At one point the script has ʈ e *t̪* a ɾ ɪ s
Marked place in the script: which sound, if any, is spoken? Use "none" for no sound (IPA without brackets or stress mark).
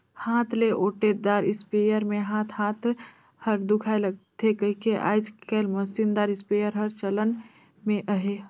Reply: d̪